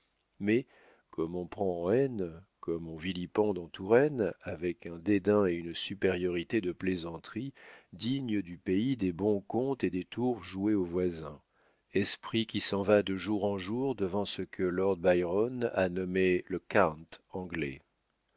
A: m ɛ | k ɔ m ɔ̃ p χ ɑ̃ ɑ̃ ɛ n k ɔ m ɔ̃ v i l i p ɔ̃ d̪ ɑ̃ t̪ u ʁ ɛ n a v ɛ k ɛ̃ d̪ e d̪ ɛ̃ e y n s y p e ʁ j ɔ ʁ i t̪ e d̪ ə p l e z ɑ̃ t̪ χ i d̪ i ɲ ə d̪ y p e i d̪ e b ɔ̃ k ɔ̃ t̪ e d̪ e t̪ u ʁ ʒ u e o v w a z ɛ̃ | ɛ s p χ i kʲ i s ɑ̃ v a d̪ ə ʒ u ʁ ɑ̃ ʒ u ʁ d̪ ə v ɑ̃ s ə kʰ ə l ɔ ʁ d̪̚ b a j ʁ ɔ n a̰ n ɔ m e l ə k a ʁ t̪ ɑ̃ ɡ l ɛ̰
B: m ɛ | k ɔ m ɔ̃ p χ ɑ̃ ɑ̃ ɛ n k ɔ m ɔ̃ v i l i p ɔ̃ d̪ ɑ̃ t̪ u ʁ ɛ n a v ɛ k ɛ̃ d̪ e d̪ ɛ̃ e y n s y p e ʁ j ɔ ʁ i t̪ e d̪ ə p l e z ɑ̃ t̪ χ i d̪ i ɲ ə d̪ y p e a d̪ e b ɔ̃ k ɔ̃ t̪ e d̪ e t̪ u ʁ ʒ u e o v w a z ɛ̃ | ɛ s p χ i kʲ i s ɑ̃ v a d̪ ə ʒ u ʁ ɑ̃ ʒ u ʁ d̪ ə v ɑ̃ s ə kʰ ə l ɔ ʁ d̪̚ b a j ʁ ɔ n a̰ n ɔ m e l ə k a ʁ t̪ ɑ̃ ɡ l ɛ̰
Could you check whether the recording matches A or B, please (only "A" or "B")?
A